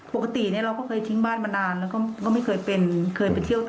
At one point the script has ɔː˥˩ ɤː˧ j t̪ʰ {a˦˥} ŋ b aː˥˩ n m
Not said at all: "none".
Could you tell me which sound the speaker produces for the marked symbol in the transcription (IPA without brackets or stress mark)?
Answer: i˦˥